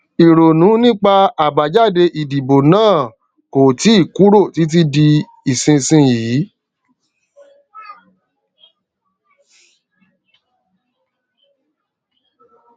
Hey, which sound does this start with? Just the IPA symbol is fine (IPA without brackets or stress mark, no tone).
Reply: i